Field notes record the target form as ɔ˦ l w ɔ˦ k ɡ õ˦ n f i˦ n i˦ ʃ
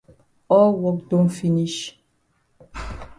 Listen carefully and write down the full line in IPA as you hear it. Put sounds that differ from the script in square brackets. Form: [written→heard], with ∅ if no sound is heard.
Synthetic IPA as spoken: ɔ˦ l w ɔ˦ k [ɡ→d] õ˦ n f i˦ n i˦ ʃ